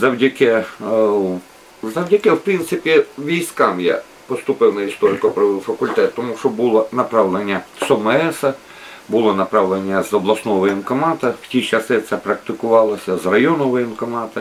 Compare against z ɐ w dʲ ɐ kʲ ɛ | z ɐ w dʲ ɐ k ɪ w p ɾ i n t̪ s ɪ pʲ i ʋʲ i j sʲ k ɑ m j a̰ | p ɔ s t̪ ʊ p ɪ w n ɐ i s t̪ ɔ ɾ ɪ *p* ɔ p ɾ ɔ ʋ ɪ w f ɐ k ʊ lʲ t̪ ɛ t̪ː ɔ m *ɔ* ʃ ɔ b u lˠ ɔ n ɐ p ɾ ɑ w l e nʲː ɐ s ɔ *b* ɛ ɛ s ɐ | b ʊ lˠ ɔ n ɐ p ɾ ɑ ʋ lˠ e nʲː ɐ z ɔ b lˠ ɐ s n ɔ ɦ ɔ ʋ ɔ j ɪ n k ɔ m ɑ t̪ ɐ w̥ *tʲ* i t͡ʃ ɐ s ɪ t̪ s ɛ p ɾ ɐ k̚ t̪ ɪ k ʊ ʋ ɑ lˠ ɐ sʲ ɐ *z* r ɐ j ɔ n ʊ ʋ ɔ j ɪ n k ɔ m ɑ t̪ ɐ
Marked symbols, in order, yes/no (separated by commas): no, no, no, yes, yes